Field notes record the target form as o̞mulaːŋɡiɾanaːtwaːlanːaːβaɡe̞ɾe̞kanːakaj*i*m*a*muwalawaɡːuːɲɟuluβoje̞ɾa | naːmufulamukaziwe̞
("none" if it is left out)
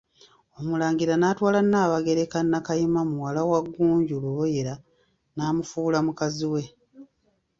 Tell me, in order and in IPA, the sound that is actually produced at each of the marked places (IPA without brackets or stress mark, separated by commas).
i, a